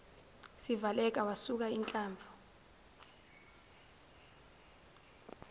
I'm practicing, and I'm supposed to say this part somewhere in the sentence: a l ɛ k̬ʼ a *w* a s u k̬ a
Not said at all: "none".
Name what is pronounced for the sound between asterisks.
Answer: w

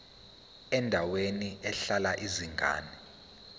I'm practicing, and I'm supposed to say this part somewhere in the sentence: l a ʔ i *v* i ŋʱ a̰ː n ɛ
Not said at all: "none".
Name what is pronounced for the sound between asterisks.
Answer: z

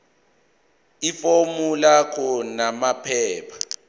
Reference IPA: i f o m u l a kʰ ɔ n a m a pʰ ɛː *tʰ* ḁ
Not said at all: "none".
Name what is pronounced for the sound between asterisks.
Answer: pʰ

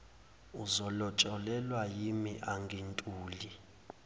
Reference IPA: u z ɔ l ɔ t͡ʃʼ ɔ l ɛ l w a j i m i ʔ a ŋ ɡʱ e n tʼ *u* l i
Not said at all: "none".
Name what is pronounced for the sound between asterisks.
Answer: uː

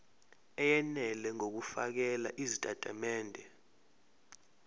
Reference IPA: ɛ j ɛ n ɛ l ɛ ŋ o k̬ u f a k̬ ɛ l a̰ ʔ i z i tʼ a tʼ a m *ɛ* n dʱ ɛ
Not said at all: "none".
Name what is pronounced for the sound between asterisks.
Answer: ɛː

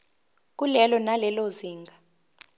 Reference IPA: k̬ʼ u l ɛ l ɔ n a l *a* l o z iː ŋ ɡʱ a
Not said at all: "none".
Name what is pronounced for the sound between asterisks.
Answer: ɛ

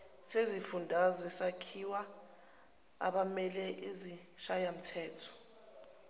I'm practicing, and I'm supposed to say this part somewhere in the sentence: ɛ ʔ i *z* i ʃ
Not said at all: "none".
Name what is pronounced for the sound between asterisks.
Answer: z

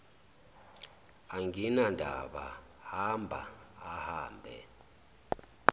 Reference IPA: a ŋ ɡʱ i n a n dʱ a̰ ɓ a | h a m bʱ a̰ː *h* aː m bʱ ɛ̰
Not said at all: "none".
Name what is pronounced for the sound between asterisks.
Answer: h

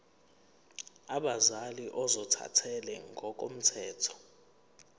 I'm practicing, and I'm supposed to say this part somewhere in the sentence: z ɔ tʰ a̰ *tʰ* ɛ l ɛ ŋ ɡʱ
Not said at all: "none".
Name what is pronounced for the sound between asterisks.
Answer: tʰ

